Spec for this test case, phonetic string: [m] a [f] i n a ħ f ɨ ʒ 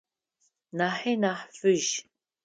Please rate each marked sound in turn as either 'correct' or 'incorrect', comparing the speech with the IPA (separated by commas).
incorrect, incorrect